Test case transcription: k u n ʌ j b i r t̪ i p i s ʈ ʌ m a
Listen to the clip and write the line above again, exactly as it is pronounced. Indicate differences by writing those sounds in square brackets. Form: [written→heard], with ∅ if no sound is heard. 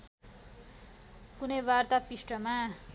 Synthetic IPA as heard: k u n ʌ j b [i→a] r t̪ [i→a] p i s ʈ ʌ m a